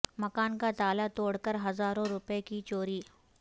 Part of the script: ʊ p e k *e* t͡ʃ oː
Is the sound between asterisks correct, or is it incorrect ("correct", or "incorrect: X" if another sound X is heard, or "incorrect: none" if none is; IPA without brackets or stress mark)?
incorrect: i